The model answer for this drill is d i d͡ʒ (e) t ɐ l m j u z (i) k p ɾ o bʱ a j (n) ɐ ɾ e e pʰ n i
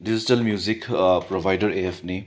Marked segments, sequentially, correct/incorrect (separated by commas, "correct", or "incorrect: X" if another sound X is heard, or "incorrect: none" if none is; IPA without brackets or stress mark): incorrect: i, correct, incorrect: d